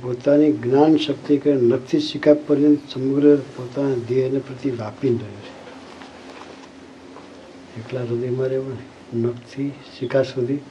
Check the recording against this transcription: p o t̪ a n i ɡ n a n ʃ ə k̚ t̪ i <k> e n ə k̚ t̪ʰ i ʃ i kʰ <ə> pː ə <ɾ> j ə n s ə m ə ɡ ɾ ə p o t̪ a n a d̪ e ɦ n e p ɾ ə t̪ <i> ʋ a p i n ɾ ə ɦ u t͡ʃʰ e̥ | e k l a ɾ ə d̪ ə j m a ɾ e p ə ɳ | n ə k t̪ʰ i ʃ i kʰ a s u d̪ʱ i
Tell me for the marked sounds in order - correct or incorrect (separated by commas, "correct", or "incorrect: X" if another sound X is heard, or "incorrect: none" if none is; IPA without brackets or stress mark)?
correct, incorrect: a, correct, correct